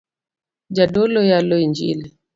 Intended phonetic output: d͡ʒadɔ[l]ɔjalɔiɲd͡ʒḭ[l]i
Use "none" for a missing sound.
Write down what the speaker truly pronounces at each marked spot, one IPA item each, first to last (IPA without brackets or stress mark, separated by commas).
l, l